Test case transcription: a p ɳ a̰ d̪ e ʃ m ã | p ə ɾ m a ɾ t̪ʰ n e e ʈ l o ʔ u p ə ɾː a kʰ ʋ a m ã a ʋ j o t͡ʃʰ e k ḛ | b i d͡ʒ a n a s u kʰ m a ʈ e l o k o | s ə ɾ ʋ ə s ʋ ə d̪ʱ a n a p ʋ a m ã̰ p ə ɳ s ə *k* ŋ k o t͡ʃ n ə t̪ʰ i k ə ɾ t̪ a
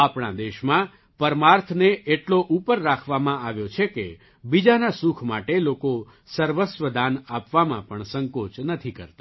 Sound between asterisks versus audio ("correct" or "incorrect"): incorrect